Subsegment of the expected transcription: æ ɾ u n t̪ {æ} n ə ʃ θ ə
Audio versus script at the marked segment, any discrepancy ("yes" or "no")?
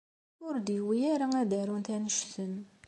no